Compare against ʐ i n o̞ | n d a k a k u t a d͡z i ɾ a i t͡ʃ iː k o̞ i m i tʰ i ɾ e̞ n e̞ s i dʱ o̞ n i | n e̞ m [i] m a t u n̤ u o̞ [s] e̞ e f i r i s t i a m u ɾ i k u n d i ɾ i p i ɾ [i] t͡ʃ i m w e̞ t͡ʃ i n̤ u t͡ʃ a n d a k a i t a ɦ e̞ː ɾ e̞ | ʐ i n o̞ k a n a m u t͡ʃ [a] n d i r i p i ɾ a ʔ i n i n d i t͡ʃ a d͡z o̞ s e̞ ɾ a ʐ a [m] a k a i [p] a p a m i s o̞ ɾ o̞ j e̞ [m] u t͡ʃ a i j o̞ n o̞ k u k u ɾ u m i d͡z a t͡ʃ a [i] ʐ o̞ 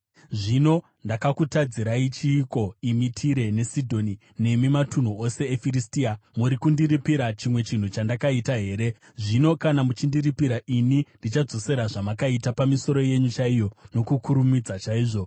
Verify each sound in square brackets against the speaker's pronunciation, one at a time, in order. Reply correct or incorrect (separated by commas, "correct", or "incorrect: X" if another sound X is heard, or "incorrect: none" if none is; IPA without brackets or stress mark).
correct, correct, incorrect: a, incorrect: i, correct, incorrect: t, incorrect: ɲ, incorrect: iː